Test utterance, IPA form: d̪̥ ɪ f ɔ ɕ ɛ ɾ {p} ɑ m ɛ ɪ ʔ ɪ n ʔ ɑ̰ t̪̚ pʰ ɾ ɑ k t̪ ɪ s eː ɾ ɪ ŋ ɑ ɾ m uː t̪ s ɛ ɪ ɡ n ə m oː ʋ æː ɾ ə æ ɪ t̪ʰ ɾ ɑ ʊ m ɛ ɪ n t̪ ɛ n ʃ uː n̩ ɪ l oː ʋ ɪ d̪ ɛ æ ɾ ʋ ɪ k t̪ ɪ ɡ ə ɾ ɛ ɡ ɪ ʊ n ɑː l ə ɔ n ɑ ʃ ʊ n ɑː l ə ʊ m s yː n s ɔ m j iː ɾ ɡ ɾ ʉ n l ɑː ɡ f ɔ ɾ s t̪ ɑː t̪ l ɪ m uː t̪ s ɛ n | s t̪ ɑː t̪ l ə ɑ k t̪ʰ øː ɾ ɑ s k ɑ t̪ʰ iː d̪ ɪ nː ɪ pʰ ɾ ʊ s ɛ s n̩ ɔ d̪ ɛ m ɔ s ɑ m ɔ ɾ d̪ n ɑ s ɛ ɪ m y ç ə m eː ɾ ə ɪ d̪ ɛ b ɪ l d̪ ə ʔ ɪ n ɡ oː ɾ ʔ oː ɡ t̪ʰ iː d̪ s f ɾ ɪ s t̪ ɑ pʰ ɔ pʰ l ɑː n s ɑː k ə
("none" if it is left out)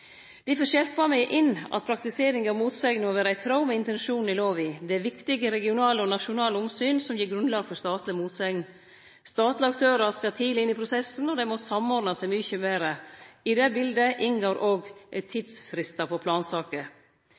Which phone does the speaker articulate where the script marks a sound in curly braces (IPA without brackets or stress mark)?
p